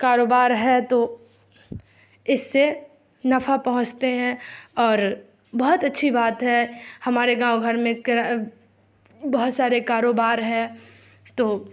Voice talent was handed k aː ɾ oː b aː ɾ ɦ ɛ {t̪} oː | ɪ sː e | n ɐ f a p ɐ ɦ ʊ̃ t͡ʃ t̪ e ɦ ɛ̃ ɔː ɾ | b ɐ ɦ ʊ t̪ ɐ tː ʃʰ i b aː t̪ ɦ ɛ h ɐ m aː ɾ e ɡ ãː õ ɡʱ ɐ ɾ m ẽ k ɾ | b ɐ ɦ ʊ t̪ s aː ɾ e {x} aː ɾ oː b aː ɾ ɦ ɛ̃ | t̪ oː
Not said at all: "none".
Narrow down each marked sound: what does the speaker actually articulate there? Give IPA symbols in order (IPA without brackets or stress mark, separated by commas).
t̪, k